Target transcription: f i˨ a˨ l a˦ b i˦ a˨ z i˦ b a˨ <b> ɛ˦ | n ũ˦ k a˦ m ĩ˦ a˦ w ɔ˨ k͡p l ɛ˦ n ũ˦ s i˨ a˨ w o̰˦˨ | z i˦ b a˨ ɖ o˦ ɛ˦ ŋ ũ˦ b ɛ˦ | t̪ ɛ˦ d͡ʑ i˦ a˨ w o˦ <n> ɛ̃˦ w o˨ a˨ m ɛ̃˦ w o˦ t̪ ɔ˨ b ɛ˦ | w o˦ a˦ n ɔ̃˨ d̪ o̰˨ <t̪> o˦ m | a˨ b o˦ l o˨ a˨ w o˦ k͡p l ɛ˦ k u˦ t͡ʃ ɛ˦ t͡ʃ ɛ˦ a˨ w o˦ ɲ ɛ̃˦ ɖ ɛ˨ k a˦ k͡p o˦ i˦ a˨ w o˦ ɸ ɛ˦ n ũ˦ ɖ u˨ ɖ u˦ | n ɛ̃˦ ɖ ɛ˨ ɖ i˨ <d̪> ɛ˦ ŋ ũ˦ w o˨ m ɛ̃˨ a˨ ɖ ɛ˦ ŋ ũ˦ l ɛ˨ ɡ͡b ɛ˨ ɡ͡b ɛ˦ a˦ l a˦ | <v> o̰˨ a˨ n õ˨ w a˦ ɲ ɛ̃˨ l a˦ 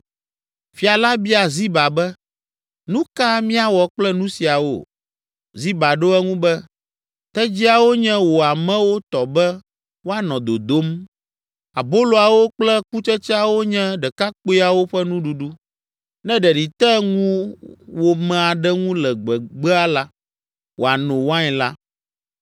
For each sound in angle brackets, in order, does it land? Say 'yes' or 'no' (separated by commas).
yes, no, no, no, no